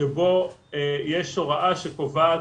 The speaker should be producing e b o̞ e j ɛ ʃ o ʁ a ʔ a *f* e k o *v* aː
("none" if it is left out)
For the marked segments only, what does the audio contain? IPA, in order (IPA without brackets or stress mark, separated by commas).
ʃ, v